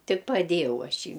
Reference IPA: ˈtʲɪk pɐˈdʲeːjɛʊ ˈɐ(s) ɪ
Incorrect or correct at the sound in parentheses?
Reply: incorrect: ʃ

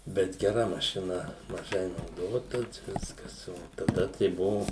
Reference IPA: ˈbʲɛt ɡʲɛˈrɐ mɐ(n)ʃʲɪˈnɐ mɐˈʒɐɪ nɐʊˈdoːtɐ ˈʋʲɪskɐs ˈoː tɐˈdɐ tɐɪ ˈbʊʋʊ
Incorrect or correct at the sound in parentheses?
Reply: incorrect: none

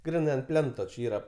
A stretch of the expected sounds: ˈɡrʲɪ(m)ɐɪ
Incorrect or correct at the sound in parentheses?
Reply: incorrect: n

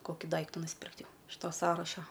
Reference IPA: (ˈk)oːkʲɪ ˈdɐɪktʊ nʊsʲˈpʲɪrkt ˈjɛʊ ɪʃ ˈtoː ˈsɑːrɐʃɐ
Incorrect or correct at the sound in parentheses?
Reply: correct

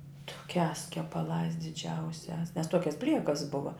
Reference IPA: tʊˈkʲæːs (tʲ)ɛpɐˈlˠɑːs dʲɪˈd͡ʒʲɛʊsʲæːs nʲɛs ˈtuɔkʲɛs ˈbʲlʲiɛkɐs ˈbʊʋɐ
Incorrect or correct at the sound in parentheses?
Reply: incorrect: kʲ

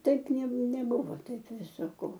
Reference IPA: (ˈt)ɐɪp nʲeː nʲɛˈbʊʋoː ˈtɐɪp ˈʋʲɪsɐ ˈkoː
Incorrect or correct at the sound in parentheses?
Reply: correct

